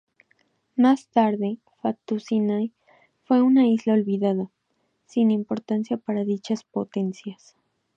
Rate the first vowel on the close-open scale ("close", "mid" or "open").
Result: open